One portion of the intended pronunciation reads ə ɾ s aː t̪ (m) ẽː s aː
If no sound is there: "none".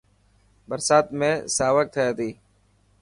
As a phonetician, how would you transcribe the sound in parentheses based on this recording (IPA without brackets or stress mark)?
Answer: m